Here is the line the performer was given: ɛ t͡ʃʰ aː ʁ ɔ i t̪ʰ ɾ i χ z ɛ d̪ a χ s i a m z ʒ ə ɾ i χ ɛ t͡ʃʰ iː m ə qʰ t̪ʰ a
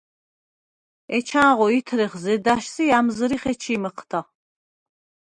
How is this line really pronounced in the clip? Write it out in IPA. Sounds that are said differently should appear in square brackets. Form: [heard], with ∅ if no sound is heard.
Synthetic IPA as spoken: ɛ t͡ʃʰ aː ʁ ɔ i t̪ʰ ɾ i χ z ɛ d̪ a [ʃ] s i a m z [z] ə ɾ i χ ɛ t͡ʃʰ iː m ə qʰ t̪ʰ a